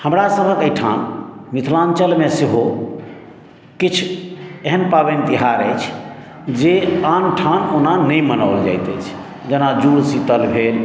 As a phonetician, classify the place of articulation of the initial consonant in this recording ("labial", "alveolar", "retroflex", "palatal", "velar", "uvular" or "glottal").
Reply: glottal